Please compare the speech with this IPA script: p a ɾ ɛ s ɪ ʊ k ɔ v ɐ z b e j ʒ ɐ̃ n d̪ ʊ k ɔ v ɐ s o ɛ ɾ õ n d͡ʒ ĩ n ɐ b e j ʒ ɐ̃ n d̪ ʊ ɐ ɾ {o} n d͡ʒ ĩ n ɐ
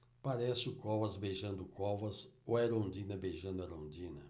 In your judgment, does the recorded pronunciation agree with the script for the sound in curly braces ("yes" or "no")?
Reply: no